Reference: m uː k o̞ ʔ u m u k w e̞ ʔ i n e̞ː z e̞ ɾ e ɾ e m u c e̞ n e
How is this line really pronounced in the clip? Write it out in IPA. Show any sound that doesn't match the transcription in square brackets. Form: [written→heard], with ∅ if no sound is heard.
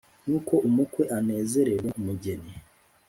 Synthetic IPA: [m→n] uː k o̞ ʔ u m u k w e̞ ʔ [i→a] n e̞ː z e̞ ɾ e ɾ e m u [c→ɟ] e̞ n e

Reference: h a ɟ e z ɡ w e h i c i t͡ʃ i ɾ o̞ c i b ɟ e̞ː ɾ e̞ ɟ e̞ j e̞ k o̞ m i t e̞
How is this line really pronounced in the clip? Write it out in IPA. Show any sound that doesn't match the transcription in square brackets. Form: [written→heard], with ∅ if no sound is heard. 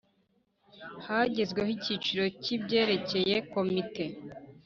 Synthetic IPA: h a ɟ e z ɡ w e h i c i t͡ʃ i ɾ o̞ c i b ɟ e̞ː ɾ e̞ [ɟ→c] e̞ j e̞ k o̞ m i t e̞

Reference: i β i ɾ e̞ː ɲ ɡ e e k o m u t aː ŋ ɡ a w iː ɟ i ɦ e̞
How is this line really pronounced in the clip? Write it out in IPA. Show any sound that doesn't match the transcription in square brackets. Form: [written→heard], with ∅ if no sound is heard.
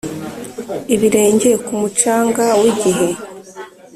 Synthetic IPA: i β i ɾ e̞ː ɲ [ɡ→ɟ] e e k [o→u] m u [t→t͡ʃ] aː ŋ ɡ a w [iː→i] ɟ i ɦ e̞

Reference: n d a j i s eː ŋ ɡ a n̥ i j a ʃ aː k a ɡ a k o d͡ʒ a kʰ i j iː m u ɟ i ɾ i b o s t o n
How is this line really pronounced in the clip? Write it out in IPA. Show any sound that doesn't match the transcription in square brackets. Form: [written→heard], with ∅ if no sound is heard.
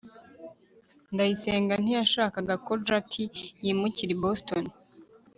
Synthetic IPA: n d a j i s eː ŋ ɡ a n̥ i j a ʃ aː k a ɡ a k o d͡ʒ a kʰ i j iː m u [ɟ→c] i ɾ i b o s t o n

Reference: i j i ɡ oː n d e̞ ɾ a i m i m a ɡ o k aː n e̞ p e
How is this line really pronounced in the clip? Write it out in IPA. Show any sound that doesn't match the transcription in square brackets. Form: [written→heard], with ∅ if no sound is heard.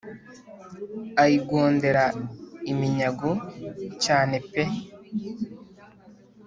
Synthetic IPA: [i→a] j i ɡ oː n d e̞ ɾ a i m i [m→ɲ] a ɡ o [k→c] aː n e̞ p e

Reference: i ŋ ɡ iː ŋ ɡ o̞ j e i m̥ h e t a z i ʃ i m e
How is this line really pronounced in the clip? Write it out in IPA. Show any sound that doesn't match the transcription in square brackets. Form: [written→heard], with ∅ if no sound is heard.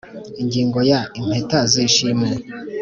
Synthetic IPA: i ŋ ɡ iː ŋ ɡ o̞ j [e→a] i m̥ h e t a z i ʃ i m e

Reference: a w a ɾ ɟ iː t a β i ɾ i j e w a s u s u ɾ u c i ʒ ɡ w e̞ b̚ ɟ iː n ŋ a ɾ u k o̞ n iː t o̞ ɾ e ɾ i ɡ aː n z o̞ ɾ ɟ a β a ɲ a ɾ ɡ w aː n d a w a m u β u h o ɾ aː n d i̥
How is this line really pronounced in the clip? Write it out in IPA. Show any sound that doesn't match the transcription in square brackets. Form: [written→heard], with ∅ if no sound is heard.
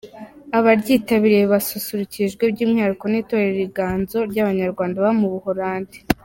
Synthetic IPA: a [w→β] a ɾ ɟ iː t a β i ɾ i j e [w→β] a s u s u ɾ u c i ʒ ɡ w e̞ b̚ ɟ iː [n→m] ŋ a ɾ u k o̞ n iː t o̞ ɾ e ɾ i ɡ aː n z o̞ ɾ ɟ a β a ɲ a ɾ ɡ w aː n d a [w→β] a m u β u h o ɾ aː n d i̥

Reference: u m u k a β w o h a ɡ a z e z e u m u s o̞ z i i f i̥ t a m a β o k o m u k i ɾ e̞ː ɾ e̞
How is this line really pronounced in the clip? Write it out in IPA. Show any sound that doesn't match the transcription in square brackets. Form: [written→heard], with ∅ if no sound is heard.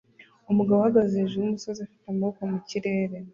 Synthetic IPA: u m u [k→ɡ] a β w o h a ɡ a z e [z→ʒ] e u m u s o̞ z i [i→a] f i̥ t a m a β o k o m u [k→c] i ɾ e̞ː ɾ e̞

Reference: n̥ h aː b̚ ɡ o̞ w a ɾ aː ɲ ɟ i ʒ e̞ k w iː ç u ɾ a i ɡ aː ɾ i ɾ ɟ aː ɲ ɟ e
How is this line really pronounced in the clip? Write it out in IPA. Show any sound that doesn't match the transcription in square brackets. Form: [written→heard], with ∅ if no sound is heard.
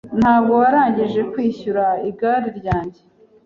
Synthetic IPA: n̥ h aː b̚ ɡ o̞ w a ɾ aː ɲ ɟ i ʒ e̞ k w iː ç u ɾ a i ɡ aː ɾ i ɾ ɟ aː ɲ ɟ e

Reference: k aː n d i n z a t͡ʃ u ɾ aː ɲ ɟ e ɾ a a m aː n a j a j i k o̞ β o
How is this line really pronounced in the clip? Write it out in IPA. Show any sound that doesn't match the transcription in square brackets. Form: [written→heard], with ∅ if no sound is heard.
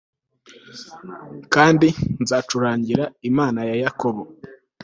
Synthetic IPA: k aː n d i n z a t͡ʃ u ɾ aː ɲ ɟ [e→i] ɾ a [a→i] m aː n a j a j [i→a] k o̞ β o

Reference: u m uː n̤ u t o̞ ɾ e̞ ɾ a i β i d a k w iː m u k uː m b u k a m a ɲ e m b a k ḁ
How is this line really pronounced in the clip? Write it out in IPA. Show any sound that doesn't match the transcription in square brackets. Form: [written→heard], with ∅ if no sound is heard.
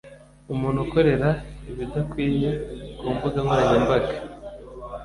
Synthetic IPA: u m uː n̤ u [t→k] o̞ ɾ e̞ ɾ a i β i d a k w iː [m→ɲ] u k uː m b u [k→ɡ] a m a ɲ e m b a [k→ɡ] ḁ

